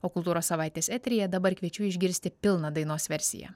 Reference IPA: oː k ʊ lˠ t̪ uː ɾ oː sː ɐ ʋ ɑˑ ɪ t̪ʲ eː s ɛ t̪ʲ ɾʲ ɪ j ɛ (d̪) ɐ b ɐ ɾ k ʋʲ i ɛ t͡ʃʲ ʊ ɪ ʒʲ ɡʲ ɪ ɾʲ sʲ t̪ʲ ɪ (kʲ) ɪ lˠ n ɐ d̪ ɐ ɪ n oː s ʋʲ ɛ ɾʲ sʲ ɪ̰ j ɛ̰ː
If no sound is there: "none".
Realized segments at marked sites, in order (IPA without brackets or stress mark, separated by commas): d̪, pʲ